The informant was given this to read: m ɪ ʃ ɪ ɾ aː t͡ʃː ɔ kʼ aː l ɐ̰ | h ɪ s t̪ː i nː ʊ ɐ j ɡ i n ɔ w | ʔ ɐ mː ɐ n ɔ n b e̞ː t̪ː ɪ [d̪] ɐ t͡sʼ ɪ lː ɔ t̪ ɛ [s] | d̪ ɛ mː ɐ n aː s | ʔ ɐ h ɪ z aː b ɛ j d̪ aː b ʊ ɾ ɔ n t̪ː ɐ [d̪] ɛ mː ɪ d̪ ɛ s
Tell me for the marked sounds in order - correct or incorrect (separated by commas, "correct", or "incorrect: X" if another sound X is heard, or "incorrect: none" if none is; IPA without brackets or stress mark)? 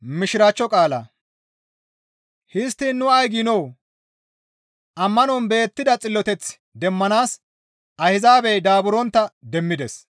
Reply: correct, incorrect: t͡s, correct